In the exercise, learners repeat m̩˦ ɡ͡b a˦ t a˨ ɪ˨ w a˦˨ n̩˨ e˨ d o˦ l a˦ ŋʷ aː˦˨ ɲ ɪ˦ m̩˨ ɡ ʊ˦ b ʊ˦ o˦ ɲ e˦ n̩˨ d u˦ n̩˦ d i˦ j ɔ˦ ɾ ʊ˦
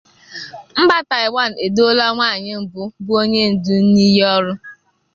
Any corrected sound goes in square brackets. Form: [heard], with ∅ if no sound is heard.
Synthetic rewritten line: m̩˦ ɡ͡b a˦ t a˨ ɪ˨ w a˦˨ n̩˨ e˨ d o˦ l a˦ ŋʷ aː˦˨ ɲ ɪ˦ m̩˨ [b] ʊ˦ b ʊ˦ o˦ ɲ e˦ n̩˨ d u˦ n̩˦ [n] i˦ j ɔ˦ ɾ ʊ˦

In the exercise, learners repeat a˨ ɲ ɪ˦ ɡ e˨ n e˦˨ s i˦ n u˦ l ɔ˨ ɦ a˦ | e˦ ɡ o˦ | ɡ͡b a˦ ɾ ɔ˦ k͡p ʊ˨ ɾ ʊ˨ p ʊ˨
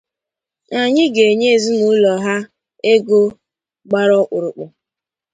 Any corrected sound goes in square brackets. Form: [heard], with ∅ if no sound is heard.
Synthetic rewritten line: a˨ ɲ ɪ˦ ɡ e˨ [ɲ] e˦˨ [z] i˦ n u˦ l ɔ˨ ɦ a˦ | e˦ ɡ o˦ | ɡ͡b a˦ ɾ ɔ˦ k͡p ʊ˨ ɾ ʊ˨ [k͡p] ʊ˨

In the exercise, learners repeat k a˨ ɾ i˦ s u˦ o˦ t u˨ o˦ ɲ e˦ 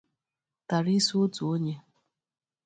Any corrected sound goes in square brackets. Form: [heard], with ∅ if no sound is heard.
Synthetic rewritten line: [t] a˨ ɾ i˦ s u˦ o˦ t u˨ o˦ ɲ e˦

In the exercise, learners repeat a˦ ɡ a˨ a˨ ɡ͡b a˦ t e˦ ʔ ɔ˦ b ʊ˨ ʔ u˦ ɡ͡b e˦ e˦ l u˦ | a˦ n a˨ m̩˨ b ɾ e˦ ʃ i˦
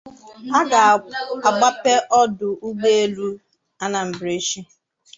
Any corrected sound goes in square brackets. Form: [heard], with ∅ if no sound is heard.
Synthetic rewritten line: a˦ ɡ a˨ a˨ ɡ͡b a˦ [p] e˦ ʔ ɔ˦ [d] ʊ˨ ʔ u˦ ɡ͡b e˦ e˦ l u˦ | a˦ n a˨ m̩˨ b ɾ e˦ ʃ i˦

